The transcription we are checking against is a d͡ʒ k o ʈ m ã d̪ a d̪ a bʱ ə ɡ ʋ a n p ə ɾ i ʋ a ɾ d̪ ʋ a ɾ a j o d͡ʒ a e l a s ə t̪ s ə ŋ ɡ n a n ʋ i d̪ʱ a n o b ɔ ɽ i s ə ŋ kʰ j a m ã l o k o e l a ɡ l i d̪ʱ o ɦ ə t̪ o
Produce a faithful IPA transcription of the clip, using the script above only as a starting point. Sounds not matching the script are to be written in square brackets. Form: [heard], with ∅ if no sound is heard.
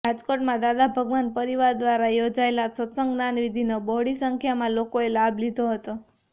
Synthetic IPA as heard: a d͡ʒ k o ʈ m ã d̪ a d̪ a bʱ ə ɡ ʋ a n p ə ɾ i ʋ a ɾ d̪ ʋ a ɾ a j o d͡ʒ a e l a s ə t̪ s ə ŋ ɡ n a n ʋ i d̪ʱ [i] n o b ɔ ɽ i s ə ŋ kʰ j a m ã l o k o e l a [b] l i d̪ʱ o ɦ ə t̪ o